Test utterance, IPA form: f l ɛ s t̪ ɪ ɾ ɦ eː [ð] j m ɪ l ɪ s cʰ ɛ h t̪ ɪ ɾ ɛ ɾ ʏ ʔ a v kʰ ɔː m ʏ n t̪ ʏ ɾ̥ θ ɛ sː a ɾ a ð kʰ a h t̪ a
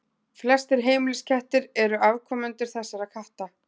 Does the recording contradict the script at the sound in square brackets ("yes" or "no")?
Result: yes